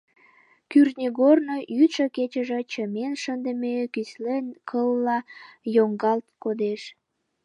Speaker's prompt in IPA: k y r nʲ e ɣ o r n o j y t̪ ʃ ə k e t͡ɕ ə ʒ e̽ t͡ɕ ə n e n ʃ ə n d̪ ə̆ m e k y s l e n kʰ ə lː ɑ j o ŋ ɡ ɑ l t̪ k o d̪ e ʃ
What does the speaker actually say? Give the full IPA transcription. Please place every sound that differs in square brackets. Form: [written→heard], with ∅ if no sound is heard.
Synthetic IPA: k y r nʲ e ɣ o r n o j y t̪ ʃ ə k e t͡ɕ ə ʒ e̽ t͡ɕ ə [n→m] e n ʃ ə n d̪ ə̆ m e k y s l e n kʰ ə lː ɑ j o ŋ ɡ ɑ l t̪ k o d̪ e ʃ